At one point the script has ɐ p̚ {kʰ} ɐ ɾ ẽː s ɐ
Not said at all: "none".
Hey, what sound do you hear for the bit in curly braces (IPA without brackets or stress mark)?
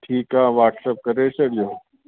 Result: k